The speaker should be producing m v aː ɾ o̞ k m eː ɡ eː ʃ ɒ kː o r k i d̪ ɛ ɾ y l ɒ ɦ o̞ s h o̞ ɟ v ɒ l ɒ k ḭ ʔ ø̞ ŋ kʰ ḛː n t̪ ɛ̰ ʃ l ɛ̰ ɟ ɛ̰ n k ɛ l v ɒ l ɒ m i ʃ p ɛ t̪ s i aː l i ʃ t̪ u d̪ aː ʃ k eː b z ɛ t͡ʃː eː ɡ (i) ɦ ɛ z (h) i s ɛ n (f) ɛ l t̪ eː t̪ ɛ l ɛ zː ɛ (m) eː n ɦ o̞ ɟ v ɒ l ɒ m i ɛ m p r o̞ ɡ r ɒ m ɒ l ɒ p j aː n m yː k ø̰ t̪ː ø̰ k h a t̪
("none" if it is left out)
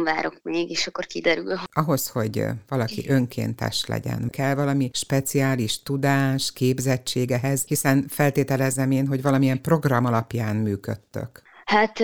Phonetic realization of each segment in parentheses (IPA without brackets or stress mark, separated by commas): ɛ, h, f, m